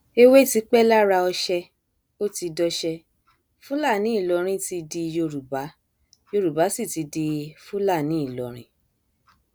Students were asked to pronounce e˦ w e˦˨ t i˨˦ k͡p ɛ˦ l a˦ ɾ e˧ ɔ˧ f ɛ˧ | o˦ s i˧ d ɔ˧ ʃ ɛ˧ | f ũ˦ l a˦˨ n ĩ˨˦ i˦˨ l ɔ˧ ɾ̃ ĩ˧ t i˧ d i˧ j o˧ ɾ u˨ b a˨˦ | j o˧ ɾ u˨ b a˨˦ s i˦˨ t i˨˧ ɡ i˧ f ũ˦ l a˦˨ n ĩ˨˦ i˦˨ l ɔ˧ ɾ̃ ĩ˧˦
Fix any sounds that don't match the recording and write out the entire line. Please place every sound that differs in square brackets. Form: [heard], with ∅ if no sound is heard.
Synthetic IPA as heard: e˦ w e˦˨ t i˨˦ k͡p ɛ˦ l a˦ ɾ [a˧] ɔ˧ [ʃ] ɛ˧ | o˦ [t] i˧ d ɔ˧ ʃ ɛ˧ | f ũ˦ l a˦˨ n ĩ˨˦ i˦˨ l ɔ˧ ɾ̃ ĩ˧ t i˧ d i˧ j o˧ ɾ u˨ b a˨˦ | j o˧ ɾ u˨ b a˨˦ s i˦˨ t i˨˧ [d] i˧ f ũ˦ l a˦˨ n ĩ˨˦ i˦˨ l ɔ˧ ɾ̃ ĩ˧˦